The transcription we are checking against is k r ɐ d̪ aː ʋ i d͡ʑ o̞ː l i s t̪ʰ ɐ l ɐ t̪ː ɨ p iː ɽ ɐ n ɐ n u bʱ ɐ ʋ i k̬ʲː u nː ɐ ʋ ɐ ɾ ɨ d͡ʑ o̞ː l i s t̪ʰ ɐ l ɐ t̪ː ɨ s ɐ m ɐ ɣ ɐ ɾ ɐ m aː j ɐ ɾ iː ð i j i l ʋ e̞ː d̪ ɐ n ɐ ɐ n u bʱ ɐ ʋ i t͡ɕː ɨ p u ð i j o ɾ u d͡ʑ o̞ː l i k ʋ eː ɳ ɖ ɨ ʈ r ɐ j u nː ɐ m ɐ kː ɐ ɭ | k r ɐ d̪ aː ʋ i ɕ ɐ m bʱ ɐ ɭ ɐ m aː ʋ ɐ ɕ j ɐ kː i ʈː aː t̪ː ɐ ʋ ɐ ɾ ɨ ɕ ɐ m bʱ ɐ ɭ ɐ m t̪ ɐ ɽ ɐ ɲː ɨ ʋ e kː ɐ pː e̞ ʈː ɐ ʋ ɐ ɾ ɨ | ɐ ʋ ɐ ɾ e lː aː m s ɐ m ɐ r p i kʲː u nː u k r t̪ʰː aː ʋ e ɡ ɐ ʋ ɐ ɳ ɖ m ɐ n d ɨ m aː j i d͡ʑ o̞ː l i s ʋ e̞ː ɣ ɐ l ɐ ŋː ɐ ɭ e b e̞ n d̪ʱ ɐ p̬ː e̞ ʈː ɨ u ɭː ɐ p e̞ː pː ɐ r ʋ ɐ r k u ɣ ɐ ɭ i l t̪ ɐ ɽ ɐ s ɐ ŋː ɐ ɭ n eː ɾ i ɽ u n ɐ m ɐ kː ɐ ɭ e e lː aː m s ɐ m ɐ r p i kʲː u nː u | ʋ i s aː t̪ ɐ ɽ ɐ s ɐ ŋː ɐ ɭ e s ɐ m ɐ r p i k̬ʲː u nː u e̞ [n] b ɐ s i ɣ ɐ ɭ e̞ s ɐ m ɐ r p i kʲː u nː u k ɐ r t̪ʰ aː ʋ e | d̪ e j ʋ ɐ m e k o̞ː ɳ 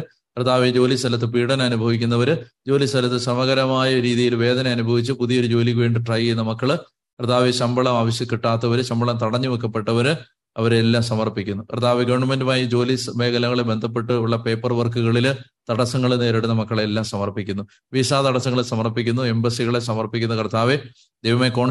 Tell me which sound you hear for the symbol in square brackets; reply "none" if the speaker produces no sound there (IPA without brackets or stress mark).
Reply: m